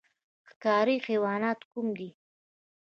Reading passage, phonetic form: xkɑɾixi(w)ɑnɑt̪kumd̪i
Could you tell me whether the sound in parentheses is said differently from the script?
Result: no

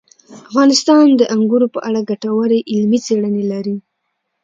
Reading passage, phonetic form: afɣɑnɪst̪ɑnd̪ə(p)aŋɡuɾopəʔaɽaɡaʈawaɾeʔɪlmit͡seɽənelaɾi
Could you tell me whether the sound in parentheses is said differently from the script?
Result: yes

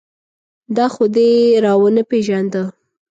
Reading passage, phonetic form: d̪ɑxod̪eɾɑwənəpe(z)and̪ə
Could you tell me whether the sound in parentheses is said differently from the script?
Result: yes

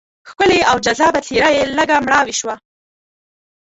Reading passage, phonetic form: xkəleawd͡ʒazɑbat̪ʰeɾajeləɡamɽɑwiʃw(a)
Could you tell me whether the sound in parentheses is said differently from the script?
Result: no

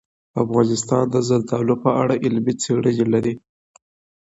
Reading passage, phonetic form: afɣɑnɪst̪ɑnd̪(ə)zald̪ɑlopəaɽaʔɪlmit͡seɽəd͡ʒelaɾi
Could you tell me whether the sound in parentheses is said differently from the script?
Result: no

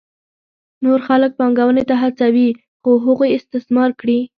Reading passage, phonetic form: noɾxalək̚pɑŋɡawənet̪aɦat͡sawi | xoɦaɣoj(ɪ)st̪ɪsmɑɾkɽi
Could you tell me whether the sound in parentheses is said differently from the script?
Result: no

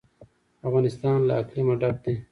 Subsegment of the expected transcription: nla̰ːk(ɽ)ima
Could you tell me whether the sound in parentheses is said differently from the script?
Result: yes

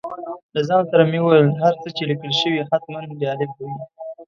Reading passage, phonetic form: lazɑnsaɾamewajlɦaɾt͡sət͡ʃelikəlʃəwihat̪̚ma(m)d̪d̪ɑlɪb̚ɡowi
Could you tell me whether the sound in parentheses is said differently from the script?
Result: yes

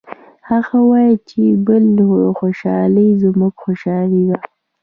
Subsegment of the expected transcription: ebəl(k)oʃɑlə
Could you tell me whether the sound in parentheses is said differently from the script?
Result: yes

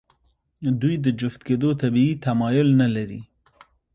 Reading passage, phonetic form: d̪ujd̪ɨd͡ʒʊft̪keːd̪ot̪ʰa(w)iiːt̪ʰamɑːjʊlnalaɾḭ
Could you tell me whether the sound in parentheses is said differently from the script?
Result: yes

